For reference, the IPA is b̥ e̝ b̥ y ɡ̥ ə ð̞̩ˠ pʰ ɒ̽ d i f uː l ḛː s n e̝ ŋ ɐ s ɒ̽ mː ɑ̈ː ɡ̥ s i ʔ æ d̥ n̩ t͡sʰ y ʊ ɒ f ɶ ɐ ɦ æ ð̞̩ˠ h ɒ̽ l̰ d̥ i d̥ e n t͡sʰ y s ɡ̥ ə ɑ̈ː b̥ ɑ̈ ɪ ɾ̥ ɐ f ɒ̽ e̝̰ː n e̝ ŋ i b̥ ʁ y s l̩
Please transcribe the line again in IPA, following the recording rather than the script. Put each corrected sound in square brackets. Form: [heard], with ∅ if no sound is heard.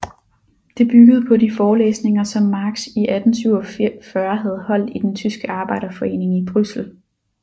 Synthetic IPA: [d̥] e̝ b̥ y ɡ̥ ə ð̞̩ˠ pʰ ɒ̽ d i f [ɒː] l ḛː s n e̝ ŋ ɐ s ɒ̽ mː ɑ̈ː ɡ̥ s i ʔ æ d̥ n̩ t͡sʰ y ʊ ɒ f ɶ ɐ ɦ æ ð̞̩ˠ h ɒ̽ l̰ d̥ i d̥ e n t͡sʰ y s ɡ̥ ə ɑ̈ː b̥ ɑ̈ ɪ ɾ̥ ɐ f ɒ̽ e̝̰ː n e̝ ŋ i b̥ ʁ y s l̩